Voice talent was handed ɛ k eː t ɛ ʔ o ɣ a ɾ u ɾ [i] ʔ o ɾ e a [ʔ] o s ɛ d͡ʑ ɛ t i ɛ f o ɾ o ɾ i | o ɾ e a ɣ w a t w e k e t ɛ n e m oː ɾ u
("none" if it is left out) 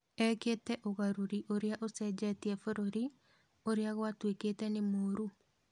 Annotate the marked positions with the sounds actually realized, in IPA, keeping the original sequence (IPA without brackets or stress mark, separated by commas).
i, ʔ